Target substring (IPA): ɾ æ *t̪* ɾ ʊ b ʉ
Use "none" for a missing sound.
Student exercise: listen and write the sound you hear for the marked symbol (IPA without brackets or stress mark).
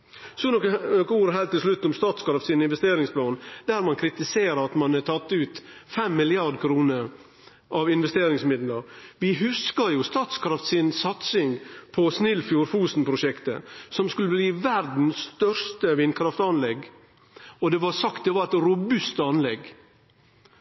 t̪